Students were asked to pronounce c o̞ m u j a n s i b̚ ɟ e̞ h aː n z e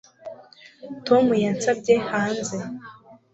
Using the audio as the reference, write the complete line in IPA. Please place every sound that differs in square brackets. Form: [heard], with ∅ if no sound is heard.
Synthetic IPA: [t] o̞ m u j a n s [a] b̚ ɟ e̞ h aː n z e